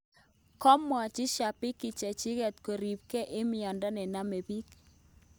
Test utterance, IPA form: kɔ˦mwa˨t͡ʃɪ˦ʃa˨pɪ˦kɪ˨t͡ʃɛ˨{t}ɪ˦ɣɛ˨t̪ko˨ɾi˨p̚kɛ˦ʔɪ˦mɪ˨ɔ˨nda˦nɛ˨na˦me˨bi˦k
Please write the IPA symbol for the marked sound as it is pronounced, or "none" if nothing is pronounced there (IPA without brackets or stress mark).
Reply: t͡ʃ